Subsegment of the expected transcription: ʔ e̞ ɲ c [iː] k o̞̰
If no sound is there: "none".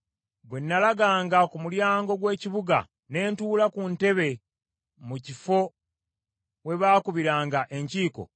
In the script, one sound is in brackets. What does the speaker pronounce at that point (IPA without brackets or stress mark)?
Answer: iː